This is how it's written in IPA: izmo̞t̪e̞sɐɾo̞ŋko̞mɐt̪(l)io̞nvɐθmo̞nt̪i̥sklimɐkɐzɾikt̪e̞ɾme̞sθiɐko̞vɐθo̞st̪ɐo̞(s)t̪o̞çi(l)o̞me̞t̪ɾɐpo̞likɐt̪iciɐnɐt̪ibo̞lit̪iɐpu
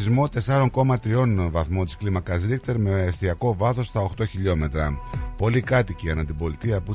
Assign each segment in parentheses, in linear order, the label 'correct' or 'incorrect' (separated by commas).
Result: incorrect, incorrect, incorrect